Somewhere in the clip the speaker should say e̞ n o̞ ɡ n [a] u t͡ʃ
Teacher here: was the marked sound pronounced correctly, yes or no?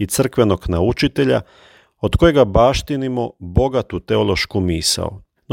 yes